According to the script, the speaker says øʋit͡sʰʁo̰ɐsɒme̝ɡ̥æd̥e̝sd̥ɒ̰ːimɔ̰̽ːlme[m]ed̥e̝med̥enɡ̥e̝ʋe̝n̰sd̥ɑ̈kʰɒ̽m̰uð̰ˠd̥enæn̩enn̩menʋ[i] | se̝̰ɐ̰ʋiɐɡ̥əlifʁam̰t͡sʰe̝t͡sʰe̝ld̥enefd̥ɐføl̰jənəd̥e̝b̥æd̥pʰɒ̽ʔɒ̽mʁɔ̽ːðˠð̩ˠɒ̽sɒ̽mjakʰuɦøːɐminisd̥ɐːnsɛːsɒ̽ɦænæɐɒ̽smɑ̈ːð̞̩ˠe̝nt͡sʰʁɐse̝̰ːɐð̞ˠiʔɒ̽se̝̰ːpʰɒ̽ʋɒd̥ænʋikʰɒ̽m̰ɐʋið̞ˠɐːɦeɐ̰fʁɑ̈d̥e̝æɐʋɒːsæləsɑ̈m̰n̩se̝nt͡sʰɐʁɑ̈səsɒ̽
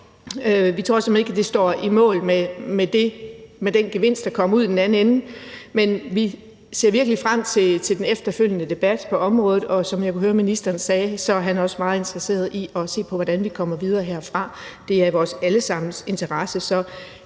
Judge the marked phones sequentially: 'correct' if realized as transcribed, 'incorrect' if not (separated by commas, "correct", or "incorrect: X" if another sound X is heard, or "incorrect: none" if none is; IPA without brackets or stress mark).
correct, correct